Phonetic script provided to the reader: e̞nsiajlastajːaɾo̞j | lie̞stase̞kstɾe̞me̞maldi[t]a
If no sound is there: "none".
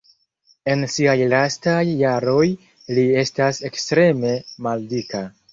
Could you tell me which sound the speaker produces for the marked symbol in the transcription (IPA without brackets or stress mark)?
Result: k